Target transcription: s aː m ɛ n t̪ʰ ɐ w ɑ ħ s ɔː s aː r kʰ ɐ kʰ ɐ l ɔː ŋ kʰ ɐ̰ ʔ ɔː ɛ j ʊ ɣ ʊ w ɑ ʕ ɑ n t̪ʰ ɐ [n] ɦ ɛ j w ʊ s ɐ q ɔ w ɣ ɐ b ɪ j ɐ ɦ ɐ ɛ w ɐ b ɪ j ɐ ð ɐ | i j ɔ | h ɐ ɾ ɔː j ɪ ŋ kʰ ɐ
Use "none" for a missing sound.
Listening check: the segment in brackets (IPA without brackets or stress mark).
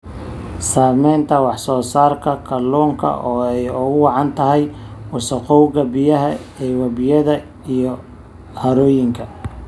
none